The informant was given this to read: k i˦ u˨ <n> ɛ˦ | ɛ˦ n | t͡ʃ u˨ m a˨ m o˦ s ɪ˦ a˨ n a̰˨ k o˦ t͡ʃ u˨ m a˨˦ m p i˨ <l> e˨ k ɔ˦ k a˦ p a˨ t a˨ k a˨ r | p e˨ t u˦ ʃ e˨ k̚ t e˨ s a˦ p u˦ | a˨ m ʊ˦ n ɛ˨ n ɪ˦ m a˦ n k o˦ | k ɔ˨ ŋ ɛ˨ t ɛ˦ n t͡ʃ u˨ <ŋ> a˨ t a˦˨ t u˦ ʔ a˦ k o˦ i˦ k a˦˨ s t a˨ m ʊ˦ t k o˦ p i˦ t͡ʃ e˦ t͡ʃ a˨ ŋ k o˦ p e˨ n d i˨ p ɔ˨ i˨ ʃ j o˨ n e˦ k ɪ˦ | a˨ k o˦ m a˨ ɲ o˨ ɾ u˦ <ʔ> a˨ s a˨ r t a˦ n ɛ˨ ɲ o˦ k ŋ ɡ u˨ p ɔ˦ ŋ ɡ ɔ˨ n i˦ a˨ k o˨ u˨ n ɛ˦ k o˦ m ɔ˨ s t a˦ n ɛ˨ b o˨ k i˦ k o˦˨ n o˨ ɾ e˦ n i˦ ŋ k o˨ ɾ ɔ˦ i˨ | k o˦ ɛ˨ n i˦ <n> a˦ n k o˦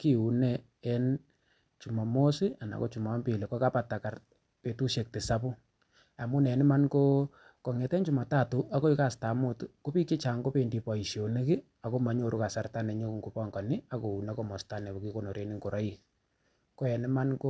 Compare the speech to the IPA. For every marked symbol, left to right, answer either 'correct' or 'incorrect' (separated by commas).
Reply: correct, correct, incorrect, incorrect, incorrect